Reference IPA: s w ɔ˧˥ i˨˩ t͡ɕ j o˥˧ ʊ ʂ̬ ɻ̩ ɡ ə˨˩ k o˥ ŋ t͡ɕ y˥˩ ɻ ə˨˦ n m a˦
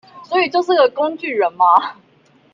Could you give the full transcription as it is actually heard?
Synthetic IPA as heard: s w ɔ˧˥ i˨˩ t͡ɕ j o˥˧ ʊ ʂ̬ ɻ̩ ɡ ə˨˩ k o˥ ŋ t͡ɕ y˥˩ ɻ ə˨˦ n m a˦